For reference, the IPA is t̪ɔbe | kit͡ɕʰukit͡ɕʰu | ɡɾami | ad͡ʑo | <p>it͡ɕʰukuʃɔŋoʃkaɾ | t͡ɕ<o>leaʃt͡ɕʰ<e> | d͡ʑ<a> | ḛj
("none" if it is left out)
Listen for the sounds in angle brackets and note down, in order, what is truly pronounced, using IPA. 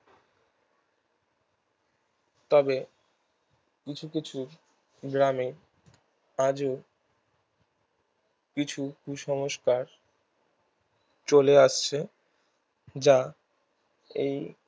k, o, e, a

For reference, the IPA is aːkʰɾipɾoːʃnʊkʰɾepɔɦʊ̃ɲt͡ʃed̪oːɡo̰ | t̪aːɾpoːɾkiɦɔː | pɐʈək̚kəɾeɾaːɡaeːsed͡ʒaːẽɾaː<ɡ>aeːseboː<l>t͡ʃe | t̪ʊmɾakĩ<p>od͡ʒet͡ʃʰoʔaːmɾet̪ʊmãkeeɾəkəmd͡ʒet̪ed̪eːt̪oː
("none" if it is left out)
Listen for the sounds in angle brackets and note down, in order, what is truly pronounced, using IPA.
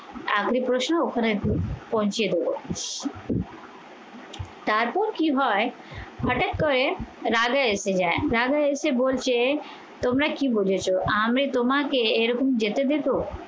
ɡ, l, b

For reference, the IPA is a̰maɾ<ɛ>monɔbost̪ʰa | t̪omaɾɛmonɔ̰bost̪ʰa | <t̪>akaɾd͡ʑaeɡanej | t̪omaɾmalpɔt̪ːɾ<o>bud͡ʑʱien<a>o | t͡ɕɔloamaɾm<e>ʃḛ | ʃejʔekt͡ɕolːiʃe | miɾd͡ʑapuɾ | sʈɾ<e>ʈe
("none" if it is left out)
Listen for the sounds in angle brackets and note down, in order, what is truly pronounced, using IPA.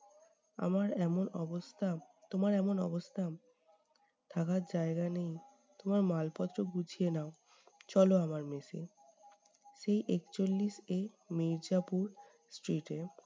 ɛ, t̪ʰ, o, a, e, i

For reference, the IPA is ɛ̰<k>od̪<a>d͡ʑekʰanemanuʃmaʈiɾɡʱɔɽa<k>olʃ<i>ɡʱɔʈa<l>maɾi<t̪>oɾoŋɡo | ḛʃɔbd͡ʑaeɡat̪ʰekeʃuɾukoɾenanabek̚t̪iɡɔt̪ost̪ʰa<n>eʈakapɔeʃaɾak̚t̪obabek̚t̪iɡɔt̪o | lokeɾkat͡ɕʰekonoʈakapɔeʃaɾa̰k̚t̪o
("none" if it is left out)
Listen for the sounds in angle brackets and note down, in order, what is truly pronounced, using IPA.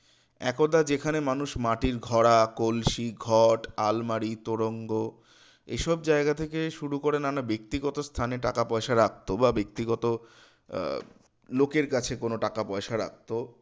k, a, k, i, l, t̪, n

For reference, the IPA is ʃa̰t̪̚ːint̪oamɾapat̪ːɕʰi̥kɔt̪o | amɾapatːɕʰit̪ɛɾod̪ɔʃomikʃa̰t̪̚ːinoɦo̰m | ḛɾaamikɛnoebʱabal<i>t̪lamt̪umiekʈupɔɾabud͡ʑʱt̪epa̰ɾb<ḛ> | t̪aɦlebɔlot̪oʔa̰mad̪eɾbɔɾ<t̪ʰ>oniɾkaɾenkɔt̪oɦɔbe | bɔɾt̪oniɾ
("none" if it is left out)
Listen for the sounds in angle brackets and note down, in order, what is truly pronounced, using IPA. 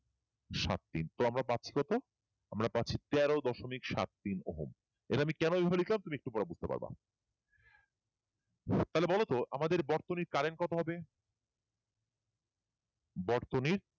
i, a̰, t̪

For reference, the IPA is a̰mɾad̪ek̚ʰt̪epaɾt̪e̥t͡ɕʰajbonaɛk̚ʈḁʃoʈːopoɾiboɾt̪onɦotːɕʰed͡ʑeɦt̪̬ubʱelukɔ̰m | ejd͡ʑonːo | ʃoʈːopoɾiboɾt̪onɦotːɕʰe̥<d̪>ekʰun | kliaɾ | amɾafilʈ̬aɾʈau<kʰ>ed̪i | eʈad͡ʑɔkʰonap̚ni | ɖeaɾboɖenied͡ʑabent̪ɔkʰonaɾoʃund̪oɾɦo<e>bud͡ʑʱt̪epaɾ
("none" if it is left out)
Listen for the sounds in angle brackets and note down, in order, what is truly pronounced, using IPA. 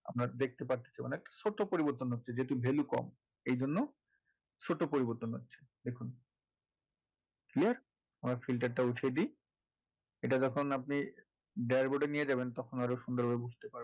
d̪, ʈʰ, e

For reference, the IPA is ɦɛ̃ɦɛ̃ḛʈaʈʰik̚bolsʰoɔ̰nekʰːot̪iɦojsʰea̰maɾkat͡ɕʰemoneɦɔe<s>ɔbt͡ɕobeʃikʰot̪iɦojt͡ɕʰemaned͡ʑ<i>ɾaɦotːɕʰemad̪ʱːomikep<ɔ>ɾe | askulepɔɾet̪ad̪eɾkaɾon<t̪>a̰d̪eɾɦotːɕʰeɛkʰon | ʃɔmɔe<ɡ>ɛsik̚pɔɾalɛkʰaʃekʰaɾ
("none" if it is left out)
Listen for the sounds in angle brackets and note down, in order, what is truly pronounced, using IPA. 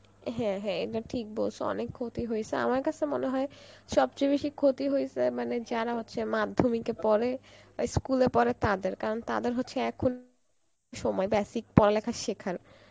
ʃ, a, ɔ, t̪, b

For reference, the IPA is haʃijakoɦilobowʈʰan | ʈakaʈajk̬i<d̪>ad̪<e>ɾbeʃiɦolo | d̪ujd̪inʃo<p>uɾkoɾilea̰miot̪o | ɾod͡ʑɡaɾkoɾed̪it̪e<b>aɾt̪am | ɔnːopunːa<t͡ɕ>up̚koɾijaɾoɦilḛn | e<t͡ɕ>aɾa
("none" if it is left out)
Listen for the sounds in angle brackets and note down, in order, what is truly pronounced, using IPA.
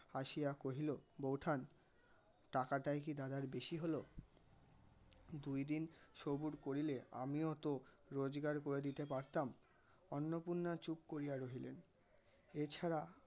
d̪, a, b, p, t͡ɕ, t͡ɕʰ

